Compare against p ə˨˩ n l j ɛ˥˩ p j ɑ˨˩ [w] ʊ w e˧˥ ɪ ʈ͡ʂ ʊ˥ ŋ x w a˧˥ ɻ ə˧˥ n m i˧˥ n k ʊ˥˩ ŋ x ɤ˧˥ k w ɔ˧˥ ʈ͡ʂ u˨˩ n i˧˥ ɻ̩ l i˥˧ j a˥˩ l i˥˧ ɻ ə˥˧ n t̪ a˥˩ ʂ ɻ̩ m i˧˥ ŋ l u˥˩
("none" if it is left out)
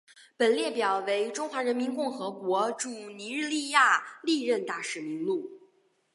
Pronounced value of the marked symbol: none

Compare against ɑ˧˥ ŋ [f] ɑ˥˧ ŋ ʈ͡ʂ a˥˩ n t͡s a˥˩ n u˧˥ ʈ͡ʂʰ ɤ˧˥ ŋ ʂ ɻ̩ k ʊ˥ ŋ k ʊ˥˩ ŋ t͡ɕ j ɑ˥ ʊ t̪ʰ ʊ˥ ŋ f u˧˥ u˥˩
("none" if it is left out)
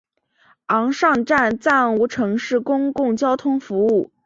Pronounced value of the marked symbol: ʂ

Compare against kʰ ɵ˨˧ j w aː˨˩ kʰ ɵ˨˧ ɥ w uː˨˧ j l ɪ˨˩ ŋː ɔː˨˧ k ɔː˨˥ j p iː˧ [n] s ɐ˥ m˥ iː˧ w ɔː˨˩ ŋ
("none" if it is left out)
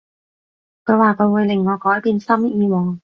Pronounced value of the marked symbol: n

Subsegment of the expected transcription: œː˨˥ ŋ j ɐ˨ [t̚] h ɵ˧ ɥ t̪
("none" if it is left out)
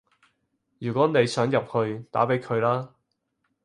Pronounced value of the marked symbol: p̚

